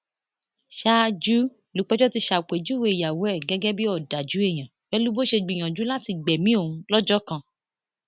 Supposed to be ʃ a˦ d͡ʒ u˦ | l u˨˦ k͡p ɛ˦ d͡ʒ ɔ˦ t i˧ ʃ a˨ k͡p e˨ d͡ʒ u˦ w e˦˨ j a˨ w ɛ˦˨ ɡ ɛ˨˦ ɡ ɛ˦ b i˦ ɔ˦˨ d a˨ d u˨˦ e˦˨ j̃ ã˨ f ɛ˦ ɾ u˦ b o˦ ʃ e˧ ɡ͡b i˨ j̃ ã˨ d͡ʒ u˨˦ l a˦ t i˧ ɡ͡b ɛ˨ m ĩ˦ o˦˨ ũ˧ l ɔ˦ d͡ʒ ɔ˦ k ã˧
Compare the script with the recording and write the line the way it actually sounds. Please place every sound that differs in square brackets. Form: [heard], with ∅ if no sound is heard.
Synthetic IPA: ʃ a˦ d͡ʒ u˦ | l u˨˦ k͡p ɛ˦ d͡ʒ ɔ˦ t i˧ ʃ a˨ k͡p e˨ d͡ʒ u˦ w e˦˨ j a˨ w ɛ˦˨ ɡ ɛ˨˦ ɡ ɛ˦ b i˦ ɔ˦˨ d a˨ [d͡ʒ] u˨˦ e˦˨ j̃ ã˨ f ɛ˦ [l] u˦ b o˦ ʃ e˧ ɡ͡b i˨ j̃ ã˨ d͡ʒ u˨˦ l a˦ t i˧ ɡ͡b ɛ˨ m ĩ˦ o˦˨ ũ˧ l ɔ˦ d͡ʒ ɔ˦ k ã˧